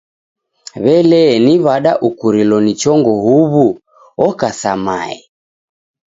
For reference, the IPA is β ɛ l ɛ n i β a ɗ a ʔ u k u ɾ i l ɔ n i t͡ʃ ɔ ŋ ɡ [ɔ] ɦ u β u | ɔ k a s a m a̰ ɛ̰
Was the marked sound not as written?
no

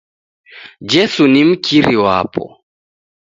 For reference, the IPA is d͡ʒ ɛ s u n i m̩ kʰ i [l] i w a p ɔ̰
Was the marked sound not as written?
yes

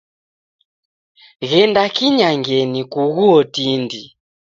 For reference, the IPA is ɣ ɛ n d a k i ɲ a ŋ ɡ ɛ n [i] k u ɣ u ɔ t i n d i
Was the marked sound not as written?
no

